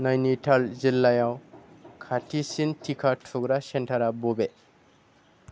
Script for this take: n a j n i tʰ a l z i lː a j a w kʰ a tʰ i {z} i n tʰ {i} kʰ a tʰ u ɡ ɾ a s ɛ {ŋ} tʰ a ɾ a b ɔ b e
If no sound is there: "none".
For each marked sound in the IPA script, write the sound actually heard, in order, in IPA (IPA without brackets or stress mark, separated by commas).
s, i, n